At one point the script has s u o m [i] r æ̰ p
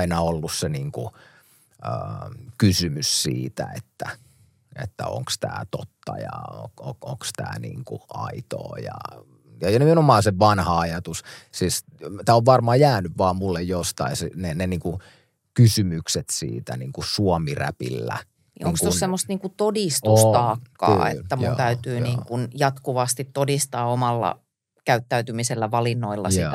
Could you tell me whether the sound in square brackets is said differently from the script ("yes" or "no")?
no